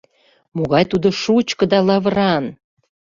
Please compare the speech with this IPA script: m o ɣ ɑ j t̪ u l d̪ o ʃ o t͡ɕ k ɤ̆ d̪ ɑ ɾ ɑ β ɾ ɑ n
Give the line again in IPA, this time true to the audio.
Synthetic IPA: m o ɣ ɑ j t̪ u d̪ o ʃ u t͡ɕ k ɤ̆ d̪ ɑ l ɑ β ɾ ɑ n